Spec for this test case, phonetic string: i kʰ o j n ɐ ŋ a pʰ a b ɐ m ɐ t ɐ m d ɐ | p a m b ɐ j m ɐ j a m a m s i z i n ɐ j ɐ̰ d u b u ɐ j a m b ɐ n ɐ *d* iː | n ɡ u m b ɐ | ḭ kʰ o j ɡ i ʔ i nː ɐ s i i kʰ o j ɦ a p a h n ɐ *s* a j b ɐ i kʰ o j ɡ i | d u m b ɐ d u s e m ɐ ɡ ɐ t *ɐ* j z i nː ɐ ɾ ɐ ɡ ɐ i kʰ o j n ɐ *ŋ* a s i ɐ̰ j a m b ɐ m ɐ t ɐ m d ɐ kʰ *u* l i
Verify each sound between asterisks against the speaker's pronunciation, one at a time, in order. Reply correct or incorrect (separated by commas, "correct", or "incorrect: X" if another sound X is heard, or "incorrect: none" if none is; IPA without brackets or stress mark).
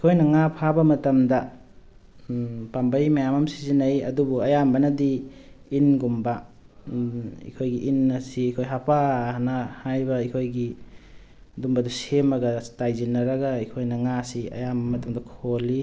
correct, incorrect: h, incorrect: a, correct, incorrect: o